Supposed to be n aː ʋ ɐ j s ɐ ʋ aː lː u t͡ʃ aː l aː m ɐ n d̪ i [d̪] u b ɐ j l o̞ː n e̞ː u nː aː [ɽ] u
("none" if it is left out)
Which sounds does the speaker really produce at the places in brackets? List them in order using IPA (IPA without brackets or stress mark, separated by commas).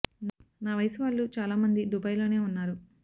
d̪, ɾ